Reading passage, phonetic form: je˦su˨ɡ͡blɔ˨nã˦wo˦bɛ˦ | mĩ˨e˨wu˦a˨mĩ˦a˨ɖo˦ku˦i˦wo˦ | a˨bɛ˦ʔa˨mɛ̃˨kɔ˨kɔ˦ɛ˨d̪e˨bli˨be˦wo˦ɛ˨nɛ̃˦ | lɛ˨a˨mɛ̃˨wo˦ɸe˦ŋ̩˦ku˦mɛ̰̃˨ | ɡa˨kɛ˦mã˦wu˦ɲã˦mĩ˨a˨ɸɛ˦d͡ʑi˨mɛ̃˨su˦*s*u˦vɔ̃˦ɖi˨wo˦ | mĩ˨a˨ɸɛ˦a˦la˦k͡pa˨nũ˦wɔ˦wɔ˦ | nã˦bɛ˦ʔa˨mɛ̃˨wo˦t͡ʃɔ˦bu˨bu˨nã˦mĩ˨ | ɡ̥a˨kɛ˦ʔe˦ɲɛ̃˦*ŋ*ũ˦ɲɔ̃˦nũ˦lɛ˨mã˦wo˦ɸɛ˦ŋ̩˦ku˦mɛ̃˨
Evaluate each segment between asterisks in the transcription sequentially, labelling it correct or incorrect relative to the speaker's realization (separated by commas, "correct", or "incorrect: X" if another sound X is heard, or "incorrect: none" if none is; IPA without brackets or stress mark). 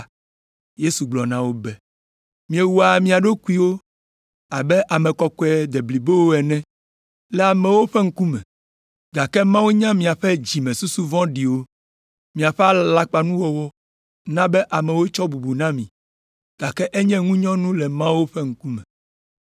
correct, correct